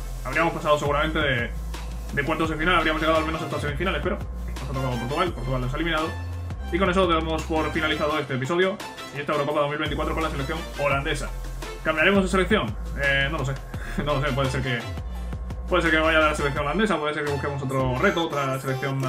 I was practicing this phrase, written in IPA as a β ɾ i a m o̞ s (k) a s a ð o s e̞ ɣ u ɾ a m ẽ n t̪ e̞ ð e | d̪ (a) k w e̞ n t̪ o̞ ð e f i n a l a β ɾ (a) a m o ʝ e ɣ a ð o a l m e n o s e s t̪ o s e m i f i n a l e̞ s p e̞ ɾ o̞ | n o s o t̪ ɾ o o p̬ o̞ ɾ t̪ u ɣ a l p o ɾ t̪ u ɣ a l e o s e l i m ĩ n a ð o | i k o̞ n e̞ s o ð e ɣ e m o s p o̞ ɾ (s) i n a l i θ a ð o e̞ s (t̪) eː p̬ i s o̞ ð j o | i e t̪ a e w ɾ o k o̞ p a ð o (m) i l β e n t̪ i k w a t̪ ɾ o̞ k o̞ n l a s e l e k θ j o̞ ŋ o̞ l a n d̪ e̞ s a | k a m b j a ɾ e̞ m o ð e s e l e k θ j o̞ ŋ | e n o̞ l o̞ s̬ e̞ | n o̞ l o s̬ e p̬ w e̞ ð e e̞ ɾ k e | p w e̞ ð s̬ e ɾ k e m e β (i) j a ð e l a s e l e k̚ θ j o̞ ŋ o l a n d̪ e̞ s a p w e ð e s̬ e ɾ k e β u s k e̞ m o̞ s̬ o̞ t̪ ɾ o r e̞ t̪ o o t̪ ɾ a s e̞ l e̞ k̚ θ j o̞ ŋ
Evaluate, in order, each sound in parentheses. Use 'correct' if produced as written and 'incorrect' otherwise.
incorrect: p, incorrect: e, incorrect: i, incorrect: f, correct, correct, incorrect: a

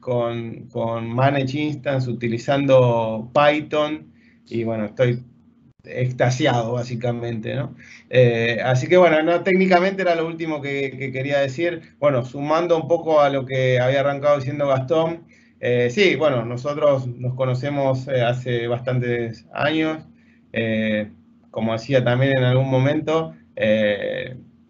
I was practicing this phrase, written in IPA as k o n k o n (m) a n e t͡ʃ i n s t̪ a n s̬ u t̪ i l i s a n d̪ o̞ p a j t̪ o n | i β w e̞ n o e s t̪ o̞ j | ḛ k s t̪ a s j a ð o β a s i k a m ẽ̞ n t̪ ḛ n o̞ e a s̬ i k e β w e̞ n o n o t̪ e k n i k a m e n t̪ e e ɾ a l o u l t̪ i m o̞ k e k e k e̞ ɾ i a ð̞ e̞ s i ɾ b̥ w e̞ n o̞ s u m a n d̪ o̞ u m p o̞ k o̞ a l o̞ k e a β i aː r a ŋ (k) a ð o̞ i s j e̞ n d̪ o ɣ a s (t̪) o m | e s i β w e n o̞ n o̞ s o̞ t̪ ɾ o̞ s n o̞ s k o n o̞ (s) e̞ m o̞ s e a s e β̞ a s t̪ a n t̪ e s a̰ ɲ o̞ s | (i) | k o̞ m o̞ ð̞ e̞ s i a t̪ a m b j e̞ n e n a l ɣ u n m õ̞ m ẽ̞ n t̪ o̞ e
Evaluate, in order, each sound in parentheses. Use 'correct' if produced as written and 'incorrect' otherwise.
correct, correct, correct, correct, incorrect: e

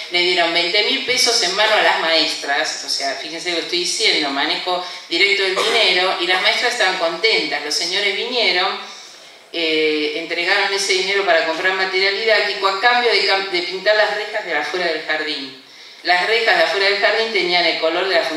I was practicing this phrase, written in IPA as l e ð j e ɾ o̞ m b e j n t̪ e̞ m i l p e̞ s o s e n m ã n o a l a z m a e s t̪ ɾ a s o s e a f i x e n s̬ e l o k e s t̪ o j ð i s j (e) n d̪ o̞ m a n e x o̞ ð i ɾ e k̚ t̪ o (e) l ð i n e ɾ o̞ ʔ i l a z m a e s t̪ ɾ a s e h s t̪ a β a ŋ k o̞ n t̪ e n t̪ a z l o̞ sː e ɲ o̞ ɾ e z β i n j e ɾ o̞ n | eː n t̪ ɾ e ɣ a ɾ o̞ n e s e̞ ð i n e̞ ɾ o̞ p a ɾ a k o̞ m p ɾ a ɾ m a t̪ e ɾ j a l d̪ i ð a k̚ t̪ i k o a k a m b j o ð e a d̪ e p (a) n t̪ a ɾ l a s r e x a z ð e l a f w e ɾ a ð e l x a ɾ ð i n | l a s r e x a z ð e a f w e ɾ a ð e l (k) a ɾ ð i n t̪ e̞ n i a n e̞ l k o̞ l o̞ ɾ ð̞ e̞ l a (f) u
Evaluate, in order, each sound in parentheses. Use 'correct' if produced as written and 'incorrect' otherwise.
correct, correct, incorrect: i, incorrect: x, correct

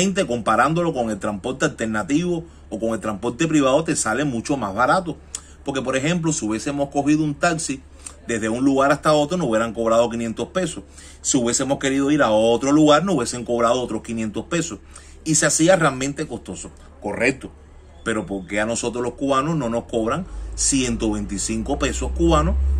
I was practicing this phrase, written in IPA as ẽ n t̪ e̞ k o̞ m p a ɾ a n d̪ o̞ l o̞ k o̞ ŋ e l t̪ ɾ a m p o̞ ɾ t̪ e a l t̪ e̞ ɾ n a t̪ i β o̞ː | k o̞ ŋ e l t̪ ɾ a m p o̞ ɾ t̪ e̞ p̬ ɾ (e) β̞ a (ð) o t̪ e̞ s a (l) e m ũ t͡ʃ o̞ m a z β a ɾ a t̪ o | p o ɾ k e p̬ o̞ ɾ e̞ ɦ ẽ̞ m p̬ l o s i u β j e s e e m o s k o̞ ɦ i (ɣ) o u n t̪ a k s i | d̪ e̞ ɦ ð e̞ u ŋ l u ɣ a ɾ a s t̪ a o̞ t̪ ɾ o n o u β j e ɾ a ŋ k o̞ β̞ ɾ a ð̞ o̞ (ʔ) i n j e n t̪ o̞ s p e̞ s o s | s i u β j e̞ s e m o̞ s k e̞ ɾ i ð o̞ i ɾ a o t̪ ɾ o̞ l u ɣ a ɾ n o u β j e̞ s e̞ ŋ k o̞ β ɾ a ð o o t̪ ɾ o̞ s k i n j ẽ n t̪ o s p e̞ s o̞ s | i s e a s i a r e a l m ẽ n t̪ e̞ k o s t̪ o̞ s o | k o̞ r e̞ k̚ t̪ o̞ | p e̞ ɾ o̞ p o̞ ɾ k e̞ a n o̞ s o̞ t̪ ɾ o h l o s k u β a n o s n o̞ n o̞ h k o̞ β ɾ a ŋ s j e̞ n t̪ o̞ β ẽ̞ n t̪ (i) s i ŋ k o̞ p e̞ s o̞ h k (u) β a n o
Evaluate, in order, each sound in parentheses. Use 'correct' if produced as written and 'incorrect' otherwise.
incorrect: i, correct, correct, incorrect: ð, incorrect: k, correct, correct

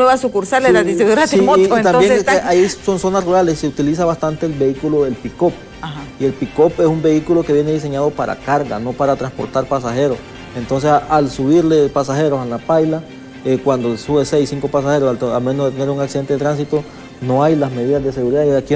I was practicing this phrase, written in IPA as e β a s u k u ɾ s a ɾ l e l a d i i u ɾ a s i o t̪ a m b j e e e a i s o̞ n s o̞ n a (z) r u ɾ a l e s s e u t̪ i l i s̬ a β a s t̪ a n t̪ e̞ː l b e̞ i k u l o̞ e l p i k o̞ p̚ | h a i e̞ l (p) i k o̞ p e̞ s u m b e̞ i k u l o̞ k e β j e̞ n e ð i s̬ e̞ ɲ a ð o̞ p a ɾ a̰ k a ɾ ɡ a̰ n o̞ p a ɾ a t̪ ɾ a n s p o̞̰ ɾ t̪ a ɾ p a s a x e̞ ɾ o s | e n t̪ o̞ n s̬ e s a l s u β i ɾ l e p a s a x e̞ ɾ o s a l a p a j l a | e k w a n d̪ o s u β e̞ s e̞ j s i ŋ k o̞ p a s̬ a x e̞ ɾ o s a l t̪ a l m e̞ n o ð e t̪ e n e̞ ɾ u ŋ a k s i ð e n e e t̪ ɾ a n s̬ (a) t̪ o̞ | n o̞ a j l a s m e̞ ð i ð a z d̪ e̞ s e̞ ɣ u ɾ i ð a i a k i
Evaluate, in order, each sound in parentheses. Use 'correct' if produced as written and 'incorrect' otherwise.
incorrect: s, correct, incorrect: i

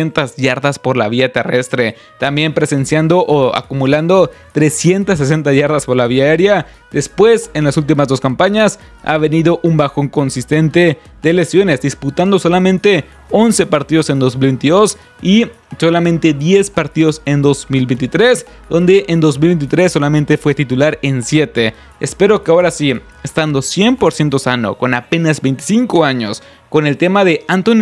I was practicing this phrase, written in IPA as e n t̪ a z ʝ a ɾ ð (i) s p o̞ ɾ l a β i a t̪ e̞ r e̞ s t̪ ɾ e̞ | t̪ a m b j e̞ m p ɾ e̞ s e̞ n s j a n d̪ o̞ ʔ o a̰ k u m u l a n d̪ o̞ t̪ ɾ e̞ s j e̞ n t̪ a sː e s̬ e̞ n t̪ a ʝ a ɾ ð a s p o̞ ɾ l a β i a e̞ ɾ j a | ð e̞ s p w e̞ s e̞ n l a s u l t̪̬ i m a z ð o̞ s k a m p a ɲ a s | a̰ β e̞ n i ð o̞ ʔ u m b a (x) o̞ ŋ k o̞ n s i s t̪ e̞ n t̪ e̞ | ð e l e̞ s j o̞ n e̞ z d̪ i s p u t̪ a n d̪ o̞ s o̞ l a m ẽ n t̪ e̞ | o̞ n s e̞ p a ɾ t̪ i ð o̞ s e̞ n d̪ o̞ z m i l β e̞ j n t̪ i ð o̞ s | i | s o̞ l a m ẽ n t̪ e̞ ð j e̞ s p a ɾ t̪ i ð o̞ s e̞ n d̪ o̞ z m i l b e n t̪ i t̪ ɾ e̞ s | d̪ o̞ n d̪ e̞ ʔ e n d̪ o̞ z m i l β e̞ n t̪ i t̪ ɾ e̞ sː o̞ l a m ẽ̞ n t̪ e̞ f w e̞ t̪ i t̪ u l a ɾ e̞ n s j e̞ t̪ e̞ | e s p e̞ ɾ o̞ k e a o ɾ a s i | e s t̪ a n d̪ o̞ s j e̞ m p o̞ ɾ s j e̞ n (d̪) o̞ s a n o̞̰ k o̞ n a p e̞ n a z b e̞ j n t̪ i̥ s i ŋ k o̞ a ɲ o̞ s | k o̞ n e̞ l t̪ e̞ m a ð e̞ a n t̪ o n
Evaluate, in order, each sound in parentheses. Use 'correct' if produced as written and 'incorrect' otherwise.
incorrect: a, correct, incorrect: t̪

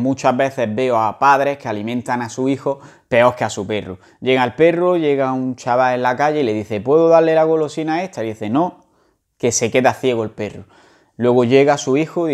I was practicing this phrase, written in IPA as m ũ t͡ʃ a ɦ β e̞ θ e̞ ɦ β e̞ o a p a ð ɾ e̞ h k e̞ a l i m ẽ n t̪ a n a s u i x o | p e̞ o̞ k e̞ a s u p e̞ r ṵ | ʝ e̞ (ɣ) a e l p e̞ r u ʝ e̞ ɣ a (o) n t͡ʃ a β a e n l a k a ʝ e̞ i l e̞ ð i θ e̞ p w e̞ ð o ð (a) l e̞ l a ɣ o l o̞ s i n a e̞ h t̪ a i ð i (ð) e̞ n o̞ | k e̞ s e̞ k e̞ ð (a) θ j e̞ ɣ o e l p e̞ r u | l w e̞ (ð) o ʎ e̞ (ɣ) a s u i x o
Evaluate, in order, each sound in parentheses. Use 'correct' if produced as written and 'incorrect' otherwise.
correct, incorrect: u, correct, incorrect: θ, correct, incorrect: ɣ, correct

